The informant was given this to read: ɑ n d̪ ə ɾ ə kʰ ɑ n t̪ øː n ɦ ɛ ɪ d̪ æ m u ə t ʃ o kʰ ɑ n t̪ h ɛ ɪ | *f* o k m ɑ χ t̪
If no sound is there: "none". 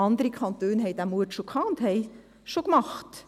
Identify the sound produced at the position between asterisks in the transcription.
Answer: ʃ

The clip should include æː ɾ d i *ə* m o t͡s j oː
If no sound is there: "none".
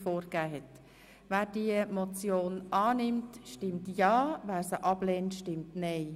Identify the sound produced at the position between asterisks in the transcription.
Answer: ə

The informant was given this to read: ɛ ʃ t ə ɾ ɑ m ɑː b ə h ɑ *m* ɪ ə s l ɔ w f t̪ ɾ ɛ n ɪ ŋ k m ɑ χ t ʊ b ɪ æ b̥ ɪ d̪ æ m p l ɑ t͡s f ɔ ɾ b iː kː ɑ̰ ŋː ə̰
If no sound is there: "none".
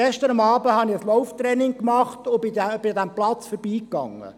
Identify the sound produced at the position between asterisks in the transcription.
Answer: n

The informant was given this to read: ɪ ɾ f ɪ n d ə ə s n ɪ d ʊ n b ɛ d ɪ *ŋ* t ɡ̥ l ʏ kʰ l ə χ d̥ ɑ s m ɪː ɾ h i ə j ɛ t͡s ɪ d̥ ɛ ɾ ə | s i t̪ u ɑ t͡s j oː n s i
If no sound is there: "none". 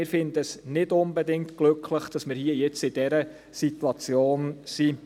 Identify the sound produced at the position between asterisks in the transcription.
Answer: ŋ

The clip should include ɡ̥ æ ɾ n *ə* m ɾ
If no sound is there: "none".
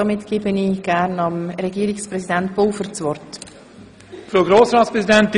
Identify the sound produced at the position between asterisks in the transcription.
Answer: ɑ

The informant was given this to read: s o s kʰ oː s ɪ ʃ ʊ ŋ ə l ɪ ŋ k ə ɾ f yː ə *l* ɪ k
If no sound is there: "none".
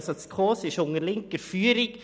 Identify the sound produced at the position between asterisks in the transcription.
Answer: ɾ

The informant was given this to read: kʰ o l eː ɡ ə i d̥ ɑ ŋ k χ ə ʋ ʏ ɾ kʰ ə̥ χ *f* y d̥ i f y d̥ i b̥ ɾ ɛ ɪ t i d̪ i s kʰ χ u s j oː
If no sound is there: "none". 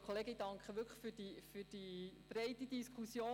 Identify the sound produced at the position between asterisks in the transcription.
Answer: f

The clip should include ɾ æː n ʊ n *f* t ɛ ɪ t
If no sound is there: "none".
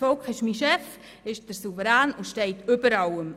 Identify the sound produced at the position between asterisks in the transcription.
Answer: ʃ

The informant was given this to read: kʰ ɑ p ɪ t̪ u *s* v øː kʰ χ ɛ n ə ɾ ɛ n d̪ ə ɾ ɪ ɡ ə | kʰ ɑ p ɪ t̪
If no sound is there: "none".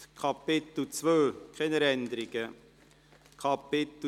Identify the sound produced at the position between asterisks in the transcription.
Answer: t͡s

